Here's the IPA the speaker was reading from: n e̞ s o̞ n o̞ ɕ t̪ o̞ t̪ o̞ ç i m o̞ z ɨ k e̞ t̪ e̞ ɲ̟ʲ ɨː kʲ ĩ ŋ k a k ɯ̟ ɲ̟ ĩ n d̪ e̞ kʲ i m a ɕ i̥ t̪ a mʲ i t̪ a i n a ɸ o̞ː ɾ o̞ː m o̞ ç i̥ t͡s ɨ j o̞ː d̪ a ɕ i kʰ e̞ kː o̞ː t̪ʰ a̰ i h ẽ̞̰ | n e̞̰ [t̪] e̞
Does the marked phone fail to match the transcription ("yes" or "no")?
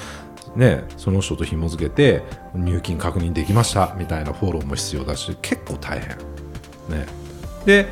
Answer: yes